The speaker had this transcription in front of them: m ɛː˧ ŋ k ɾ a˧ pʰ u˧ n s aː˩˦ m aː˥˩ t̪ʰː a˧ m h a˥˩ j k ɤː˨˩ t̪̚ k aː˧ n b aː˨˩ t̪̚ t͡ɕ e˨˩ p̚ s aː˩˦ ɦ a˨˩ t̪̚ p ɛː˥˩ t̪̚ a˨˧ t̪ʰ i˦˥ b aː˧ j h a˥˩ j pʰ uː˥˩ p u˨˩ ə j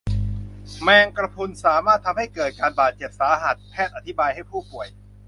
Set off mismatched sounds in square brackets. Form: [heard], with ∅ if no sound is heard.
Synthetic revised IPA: m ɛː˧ ŋ k ɾ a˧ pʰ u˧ n s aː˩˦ m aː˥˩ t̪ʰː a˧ m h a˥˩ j k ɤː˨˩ t̪̚ k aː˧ n b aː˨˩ t̪̚ t͡ɕ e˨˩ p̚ s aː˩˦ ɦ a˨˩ t̪̚ [pʰ] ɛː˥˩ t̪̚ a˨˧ t̪ʰ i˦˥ b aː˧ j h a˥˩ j pʰ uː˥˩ p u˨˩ ə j